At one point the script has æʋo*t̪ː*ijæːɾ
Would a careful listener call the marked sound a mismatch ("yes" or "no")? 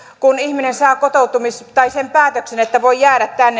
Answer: yes